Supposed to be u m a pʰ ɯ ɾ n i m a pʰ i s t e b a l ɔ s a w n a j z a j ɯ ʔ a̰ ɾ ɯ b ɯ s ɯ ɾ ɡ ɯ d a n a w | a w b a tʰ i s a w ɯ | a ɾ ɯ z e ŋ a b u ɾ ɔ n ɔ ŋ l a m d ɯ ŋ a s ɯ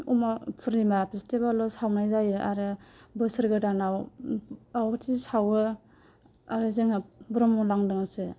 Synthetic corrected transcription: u m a pʰ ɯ ɾ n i m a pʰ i s t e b a l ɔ s a w n a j z a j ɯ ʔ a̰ ɾ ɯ b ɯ s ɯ ɾ ɡ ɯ d a n a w | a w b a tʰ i s a w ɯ | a ɾ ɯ z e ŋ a b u ɾ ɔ m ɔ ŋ l a ŋ d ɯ ŋ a s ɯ